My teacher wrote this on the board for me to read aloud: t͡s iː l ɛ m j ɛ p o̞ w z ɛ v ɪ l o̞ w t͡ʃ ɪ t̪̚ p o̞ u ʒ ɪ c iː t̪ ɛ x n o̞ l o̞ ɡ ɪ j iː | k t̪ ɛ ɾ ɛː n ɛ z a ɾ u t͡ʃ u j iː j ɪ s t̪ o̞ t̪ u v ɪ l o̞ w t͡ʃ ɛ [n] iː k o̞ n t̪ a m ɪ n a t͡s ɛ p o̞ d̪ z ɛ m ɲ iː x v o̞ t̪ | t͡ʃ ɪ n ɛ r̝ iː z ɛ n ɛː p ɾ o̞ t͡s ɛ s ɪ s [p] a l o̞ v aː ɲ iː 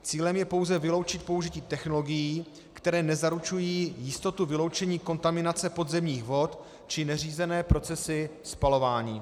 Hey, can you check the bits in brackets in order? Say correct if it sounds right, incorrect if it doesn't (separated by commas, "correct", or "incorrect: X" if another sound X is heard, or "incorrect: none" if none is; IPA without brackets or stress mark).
incorrect: ɲ, correct